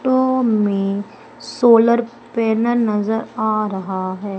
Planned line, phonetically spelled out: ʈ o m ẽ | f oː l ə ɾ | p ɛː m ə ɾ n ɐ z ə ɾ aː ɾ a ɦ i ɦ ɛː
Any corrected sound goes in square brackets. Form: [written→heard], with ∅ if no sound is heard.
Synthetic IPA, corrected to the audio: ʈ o m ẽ | [f→s] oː l ə ɾ | p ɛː [m→n] ə ɾ n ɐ z ə ɾ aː ɾ [a→ɐ] ɦ [i→a] ɦ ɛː